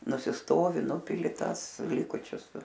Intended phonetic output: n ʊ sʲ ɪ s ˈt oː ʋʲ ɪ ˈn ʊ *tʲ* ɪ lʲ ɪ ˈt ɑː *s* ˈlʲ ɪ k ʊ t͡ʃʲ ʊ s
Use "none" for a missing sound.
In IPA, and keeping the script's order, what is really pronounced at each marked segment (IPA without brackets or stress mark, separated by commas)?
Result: pʲ, s